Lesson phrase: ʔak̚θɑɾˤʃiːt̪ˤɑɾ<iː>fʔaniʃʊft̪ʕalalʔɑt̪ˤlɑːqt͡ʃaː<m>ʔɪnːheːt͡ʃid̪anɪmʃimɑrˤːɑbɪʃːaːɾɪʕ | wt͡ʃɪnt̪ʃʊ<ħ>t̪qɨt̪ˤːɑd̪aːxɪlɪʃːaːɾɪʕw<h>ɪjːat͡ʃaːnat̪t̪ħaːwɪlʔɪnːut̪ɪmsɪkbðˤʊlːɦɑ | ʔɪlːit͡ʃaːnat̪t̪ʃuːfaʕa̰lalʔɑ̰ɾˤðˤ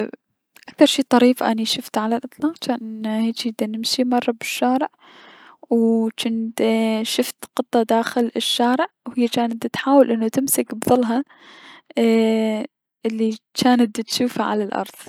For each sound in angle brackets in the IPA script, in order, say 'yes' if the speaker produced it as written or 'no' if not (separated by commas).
yes, no, no, yes